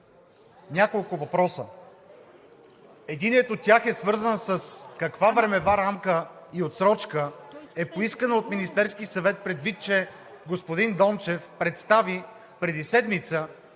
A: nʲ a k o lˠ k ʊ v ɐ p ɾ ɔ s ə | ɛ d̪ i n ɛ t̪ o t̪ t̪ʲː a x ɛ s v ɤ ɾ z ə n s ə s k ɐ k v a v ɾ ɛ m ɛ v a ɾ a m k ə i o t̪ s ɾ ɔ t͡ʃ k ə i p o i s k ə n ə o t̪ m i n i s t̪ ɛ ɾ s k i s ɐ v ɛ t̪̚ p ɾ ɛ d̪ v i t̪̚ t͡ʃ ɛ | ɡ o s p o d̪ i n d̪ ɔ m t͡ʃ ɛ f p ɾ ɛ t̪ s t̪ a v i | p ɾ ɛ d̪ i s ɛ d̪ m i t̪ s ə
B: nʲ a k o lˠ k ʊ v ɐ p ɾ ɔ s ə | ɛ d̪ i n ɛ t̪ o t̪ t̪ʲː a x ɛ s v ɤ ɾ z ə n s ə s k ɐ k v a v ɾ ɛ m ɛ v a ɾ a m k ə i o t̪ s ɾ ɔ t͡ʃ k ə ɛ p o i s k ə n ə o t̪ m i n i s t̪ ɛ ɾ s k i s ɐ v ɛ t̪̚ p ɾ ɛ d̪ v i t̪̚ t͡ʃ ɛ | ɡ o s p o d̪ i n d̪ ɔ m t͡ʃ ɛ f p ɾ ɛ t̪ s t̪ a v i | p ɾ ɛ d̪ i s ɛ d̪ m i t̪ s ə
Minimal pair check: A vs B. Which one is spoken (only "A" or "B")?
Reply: B